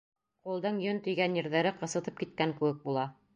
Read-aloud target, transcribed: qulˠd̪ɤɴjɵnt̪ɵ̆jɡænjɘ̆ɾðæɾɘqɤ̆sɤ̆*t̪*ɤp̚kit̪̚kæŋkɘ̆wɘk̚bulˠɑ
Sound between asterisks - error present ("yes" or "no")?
no